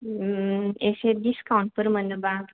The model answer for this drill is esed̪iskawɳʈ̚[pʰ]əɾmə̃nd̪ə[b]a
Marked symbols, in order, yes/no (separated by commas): no, yes